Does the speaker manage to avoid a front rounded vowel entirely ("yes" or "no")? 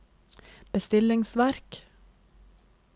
yes